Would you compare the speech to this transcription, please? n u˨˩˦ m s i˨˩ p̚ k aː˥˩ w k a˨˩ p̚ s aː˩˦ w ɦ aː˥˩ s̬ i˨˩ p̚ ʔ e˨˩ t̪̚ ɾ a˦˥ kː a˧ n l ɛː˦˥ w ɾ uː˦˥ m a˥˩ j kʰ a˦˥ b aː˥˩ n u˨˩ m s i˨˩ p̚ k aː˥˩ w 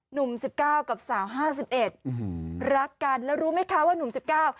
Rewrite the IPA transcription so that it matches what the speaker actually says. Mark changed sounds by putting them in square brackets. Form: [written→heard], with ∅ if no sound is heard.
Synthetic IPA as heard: n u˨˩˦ m s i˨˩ p̚ k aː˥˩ w k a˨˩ p̚ s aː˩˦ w ɦ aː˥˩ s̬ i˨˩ p̚ ʔ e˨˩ t̪̚ ɾ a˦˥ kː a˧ n l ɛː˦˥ w ɾ uː˦˥ m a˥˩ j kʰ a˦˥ [b→w] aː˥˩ n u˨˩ m s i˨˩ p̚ k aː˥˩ w